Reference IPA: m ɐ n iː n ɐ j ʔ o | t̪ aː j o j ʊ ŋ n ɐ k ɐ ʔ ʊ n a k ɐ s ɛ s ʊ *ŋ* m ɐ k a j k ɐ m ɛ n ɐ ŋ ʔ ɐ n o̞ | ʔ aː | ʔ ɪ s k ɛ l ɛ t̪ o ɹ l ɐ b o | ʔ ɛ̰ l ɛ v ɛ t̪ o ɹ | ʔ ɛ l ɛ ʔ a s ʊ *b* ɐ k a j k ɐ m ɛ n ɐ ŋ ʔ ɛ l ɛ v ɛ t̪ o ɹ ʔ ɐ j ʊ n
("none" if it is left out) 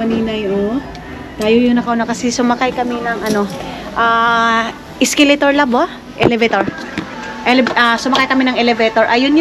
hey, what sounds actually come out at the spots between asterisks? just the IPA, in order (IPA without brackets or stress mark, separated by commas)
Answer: none, m